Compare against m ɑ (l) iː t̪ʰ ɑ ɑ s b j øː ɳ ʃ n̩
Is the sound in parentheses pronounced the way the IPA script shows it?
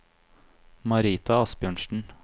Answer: no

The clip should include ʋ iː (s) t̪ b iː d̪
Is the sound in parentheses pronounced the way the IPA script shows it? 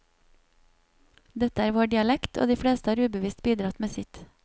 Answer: yes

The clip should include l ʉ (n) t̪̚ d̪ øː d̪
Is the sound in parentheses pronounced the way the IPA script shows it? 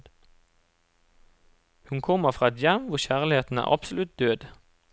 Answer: no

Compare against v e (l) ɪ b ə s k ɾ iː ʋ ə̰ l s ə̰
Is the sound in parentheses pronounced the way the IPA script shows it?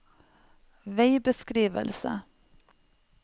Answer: no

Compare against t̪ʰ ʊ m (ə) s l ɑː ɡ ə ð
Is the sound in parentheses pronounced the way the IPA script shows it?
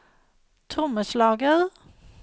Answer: yes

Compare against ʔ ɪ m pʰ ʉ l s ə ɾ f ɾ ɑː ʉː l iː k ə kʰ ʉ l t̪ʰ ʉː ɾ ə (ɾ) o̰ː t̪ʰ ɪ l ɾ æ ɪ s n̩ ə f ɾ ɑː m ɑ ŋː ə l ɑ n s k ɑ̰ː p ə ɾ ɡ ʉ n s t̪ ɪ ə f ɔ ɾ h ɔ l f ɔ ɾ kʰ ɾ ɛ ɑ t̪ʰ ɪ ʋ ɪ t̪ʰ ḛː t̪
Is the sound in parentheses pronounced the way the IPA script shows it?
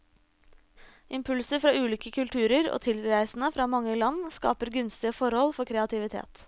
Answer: yes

